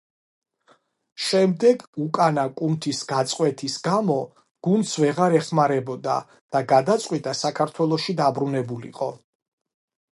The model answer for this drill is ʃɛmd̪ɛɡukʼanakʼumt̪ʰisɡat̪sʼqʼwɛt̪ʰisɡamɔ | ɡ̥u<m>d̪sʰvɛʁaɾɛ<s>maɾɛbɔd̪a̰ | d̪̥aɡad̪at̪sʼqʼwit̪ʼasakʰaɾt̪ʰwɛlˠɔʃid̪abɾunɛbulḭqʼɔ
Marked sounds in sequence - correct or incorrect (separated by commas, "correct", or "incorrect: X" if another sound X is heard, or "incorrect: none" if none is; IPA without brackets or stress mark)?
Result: incorrect: n, incorrect: χ